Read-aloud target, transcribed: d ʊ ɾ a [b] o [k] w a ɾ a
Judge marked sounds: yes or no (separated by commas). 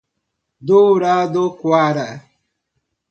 no, yes